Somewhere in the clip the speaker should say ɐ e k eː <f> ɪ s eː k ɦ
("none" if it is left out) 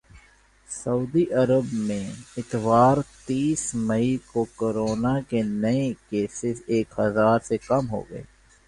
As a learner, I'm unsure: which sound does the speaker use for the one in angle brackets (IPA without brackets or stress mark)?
s